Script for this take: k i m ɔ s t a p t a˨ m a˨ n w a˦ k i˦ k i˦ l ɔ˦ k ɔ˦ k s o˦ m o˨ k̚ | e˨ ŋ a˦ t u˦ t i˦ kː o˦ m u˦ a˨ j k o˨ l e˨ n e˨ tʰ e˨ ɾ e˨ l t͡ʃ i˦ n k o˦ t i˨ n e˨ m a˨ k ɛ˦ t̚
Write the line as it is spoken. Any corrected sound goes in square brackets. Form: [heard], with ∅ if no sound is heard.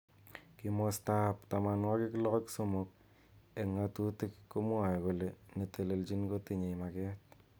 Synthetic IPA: k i m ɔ s t a p t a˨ m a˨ n w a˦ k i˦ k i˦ l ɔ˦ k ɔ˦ k s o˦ m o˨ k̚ | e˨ ŋ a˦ t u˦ t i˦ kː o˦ m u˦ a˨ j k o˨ l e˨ n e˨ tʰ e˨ [l] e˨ l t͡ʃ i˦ n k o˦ t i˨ [ɲ] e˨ m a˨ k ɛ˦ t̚

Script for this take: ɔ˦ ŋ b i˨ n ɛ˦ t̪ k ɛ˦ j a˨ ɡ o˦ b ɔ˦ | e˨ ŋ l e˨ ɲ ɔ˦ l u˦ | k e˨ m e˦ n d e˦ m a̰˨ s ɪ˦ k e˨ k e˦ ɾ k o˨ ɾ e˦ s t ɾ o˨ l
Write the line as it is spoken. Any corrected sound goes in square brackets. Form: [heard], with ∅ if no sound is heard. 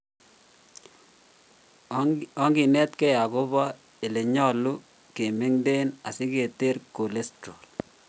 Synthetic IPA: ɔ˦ ŋ [ɡ] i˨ n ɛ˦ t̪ k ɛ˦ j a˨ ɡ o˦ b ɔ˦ | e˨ [∅] l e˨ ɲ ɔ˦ l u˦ | k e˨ m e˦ [ŋ] d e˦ [n] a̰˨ s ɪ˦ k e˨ [t] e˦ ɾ k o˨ [l] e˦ s t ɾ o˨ l

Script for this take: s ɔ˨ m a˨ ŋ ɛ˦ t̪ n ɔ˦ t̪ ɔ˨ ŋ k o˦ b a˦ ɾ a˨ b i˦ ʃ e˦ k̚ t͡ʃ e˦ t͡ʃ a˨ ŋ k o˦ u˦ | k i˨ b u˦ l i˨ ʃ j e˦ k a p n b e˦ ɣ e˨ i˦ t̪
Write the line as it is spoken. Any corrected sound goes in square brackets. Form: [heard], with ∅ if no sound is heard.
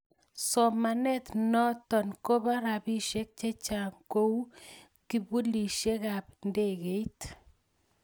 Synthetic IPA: s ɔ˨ m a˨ [n] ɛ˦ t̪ n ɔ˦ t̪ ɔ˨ [n] k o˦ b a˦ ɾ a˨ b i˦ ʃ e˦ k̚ t͡ʃ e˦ t͡ʃ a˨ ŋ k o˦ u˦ | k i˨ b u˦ l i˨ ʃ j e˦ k a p n [d] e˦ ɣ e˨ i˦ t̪

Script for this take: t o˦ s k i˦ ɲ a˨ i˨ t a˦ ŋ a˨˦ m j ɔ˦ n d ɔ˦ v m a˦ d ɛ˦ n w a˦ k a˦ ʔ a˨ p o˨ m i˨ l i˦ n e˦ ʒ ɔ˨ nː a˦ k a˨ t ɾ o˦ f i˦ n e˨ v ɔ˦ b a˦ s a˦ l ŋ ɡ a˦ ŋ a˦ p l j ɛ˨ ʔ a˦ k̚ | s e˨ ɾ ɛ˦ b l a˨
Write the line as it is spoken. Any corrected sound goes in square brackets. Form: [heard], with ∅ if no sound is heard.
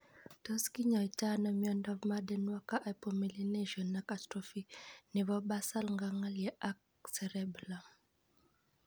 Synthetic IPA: t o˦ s k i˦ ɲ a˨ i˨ t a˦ [n] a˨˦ m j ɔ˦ n d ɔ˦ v m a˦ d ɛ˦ n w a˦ k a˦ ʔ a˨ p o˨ m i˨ l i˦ n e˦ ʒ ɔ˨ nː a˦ k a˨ t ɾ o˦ f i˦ n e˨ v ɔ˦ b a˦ s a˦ l ŋ ɡ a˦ ŋ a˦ [∅] l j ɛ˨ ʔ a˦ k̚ | s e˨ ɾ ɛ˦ b l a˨

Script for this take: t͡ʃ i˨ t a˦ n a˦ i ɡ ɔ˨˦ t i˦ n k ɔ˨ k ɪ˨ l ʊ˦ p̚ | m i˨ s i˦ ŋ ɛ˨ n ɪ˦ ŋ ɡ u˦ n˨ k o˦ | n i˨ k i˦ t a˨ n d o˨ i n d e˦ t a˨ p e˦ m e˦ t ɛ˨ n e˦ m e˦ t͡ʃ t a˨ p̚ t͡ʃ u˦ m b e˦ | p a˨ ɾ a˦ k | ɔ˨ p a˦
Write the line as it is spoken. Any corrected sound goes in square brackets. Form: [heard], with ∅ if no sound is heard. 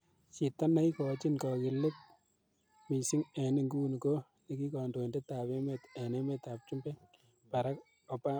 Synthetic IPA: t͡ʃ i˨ t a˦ n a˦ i [k] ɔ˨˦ [t͡ʃ] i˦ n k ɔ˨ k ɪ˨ l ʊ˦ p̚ | m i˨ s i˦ ŋ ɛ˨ n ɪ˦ ŋ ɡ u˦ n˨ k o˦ | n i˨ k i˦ [k] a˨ n d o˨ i n d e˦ t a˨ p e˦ m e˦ t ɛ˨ n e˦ m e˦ [∅] t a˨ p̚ t͡ʃ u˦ m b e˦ | p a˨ ɾ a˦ k | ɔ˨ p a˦

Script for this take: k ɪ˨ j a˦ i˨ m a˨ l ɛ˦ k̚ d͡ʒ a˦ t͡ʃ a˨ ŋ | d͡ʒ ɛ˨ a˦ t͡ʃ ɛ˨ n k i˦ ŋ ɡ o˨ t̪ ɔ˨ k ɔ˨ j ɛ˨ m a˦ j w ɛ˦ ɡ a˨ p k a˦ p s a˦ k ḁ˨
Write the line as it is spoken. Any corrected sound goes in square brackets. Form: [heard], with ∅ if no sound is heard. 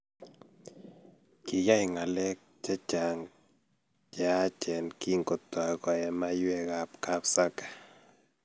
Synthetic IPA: k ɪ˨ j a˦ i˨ [ŋ] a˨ l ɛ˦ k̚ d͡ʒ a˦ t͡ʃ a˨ ŋ | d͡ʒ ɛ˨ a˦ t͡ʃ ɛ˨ n k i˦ ŋ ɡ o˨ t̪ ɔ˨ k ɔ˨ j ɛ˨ m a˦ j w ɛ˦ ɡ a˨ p k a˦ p s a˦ k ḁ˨

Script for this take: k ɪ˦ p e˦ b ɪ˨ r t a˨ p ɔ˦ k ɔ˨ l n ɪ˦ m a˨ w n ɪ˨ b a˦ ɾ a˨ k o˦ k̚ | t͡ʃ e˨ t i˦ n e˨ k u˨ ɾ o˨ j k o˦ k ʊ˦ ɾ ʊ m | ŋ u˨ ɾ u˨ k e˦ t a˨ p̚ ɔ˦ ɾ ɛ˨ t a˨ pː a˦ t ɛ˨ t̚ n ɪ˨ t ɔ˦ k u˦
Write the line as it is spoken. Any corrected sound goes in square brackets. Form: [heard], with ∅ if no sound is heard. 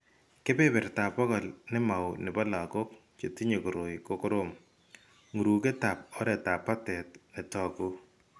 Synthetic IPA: k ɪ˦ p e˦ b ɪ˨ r t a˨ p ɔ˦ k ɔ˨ l n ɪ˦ m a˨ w n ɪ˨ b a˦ [l] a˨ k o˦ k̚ | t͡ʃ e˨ t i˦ [ɲ] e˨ k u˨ ɾ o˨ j k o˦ k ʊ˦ ɾ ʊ m | ŋ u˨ ɾ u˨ k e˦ t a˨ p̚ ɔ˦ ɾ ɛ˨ t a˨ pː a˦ t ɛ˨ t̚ n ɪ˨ t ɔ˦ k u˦

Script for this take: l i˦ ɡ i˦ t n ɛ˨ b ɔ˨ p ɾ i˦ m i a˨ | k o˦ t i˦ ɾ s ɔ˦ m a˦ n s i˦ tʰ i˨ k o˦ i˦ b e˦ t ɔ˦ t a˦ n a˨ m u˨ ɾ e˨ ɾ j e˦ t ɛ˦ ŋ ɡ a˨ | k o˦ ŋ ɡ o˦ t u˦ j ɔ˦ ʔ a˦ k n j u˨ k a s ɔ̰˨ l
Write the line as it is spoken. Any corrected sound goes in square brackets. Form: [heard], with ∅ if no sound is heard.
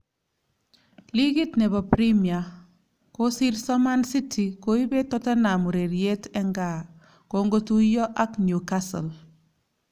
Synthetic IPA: l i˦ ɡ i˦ t n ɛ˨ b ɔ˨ p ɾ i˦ m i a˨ | k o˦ [s] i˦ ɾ s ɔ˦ m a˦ n s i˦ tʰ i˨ k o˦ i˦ b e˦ t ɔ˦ t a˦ n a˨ m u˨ ɾ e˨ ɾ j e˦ t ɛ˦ ŋ ɡ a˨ | k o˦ ŋ ɡ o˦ t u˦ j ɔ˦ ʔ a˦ k n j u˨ k a s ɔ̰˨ l

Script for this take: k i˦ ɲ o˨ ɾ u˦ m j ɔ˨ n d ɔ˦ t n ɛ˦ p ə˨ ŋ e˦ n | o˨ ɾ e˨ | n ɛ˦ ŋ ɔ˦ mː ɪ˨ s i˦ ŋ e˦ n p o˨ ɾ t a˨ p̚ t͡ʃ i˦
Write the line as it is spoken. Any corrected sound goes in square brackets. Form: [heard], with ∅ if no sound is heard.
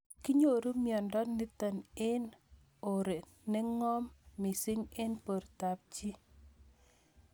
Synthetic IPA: k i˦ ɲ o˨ ɾ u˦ m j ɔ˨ n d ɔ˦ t n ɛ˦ [t] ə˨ [n] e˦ n | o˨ ɾ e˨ | n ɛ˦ ŋ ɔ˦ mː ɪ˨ s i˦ ŋ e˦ n p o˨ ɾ t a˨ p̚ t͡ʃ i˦

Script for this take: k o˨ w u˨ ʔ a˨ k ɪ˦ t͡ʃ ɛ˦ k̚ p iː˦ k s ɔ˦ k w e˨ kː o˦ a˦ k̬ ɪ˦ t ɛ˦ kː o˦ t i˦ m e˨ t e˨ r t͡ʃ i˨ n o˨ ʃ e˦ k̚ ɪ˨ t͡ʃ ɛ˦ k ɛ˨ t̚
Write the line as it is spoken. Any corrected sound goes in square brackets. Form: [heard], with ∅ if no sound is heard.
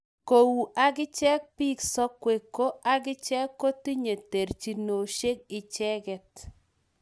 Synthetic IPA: k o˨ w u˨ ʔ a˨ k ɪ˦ t͡ʃ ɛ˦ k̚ p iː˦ k s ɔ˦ k w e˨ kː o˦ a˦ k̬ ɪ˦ [t͡ʃ] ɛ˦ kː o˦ t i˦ [ɲ] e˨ t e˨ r t͡ʃ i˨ n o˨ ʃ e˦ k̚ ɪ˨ t͡ʃ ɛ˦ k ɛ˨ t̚

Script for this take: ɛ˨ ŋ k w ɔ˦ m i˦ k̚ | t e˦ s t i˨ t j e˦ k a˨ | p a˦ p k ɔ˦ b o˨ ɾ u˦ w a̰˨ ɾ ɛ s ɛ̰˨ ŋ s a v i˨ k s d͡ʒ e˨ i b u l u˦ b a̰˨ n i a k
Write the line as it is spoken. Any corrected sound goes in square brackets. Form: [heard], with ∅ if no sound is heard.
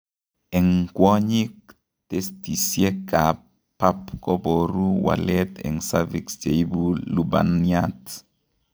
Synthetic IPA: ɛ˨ ŋ k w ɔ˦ [ɲ] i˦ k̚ | t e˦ s t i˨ [s] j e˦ k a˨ | p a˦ p k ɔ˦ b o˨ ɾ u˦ w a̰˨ [l] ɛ [t] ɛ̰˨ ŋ s a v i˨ k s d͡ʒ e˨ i b u l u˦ b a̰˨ n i a [t]

